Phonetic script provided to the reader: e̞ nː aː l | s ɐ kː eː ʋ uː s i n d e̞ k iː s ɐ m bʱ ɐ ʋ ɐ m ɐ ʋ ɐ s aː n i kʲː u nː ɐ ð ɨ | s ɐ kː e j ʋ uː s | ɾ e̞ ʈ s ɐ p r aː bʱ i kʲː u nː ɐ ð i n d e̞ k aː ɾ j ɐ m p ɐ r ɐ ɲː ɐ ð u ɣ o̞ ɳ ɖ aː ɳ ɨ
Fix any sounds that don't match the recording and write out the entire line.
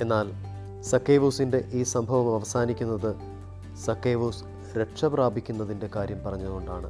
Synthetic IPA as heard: e̞ nː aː l | s ɐ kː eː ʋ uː s i n d e̞ ʔ iː s ɐ m bʱ ɐ ʋ ɐ m ɐ ʋ ɐ s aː n i kʲː u nː ɐ ð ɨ | s ɐ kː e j ʋ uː s | ɾ e̞ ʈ ʂ ɐ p r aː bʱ i kʲː u nː ɐ ð i n d e̞ k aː ɾ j ɐ m p ɐ r ɐ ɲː ɐ ð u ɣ o̞ ɳ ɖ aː ɳ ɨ